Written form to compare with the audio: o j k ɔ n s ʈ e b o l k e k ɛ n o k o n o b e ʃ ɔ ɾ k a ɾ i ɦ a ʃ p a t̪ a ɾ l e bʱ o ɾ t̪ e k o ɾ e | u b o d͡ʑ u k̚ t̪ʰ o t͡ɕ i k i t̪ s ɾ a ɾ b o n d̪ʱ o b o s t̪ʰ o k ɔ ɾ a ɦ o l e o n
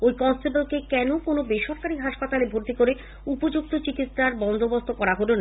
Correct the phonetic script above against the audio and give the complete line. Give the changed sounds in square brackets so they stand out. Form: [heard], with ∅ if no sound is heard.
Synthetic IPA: o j k ɔ n s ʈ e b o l k e k ɛ n o k o n o b e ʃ ɔ ɾ k a ɾ i ɦ a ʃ p a t̪ a [∅] l e bʱ o ɾ t̪ [i] k o ɾ e | u [p] o d͡ʑ u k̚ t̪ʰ o t͡ɕ i k i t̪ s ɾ a ɾ b [ɔ] n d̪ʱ o b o s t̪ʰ o k ɔ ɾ a ɦ o l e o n

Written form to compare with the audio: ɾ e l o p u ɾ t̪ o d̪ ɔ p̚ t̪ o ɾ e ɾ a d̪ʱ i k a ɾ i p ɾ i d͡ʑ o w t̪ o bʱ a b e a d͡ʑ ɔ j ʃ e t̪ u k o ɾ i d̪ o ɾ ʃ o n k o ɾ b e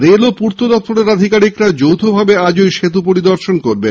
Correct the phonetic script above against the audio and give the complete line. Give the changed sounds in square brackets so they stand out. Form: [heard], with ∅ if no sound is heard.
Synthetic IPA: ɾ e l o p u ɾ t̪ o d̪ ɔ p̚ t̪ o ɾ e ɾ a d̪ʱ i k a ɾ i [k] ɾ [a] d͡ʑ o w [t̪ʰ] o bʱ a b e a d͡ʑ [o] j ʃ e t̪ u [p] o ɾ i d̪ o ɾ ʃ o n k o ɾ b e

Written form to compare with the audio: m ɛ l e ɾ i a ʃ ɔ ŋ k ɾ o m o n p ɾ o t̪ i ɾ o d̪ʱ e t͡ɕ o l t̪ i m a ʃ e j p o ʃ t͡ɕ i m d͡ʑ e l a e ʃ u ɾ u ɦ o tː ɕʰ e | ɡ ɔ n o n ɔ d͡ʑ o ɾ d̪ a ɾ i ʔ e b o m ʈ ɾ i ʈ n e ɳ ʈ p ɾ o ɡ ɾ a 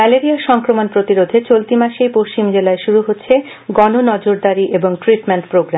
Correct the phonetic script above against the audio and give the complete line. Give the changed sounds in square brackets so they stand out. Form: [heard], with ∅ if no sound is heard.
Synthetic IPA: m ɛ l e ɾ i a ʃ ɔ ŋ k ɾ o m o n p ɾ o t̪ i ɾ o d̪ʱ e t͡ɕ o l t̪ i m a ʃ e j p o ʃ t͡ɕ i m d͡ʑ e l a e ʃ u ɾ u ɦ o tː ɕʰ e | ɡ ɔ n o n ɔ d͡ʑ o ɾ d̪ a ɾ i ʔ e b o [ŋ] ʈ ɾ i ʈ [m] e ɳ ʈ p ɾ o ɡ ɾ a

